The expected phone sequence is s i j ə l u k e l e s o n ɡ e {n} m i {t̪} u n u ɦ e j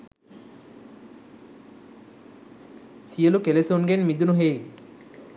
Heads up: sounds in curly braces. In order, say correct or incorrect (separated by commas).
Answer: correct, incorrect